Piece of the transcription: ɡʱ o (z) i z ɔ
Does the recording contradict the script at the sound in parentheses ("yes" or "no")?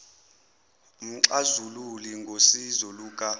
yes